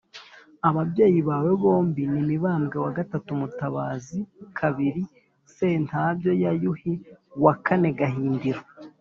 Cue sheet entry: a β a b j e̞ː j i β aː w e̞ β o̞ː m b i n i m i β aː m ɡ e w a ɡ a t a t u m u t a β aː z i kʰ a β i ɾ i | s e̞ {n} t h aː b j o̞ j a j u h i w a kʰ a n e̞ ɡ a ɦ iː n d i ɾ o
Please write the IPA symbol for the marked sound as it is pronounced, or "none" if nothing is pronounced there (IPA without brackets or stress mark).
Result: n